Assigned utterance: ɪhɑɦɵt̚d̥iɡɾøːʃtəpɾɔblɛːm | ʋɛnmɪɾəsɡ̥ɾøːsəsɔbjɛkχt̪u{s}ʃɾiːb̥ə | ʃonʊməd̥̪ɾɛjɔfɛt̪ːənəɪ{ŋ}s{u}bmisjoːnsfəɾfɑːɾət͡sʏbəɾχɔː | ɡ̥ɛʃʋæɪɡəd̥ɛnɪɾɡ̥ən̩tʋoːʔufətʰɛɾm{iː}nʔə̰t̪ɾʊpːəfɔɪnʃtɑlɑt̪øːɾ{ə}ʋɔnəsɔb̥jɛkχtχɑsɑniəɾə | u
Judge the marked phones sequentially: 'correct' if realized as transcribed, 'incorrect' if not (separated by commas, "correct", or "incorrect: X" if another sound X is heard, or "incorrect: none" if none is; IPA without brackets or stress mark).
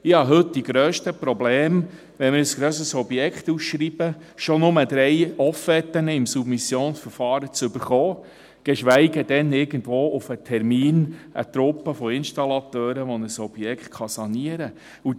correct, incorrect: m, correct, correct, correct